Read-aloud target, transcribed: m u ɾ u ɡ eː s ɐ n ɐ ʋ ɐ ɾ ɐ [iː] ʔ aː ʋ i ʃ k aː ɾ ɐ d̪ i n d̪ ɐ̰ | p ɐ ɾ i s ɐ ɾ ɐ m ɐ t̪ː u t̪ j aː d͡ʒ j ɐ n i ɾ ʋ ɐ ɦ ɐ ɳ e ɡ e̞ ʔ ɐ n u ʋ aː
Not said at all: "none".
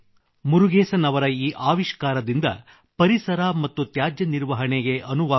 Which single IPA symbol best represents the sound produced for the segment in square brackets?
iː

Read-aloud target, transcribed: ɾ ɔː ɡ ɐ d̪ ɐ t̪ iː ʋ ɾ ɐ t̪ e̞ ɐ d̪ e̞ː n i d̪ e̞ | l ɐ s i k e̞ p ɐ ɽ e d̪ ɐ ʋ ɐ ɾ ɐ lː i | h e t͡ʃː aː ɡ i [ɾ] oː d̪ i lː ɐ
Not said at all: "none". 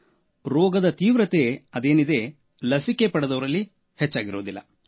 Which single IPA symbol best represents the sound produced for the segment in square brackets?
ɾ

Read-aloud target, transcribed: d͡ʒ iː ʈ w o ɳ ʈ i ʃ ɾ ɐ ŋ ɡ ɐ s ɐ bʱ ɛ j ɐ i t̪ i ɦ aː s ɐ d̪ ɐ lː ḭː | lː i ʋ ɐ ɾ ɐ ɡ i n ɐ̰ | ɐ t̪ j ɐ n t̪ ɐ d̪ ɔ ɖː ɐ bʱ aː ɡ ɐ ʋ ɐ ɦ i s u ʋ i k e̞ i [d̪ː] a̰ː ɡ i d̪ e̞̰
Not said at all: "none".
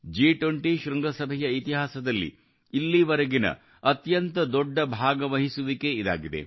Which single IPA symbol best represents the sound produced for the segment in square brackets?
d̪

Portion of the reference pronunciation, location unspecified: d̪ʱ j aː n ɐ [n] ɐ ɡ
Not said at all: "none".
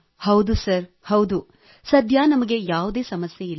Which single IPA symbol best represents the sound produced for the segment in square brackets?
m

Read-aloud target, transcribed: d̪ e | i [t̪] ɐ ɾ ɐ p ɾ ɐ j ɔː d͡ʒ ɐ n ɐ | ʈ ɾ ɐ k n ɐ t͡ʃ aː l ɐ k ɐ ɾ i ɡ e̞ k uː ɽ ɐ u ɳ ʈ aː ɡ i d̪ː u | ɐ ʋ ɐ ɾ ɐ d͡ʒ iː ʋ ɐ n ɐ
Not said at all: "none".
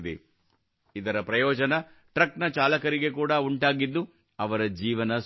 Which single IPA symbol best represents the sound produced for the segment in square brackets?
d̪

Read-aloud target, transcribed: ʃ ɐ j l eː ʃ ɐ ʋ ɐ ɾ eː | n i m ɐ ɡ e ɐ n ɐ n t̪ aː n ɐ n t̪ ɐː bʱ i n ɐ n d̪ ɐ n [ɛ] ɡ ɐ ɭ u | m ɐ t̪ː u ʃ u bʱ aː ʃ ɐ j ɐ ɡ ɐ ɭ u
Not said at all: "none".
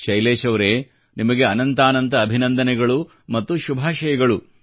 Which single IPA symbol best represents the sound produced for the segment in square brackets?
ɛ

